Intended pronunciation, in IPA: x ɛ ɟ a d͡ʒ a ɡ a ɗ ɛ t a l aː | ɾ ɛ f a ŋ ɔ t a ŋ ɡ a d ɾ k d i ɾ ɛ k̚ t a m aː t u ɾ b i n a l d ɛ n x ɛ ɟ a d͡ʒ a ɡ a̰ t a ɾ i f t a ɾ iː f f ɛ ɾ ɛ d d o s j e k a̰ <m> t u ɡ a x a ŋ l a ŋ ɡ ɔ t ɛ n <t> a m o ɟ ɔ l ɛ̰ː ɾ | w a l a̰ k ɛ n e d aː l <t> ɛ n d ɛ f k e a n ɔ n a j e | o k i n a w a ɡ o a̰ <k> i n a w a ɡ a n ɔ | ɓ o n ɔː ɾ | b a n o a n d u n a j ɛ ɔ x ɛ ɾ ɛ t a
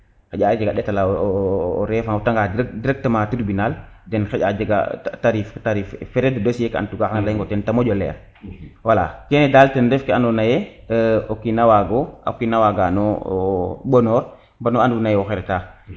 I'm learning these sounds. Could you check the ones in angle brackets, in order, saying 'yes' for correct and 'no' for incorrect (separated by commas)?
no, yes, yes, yes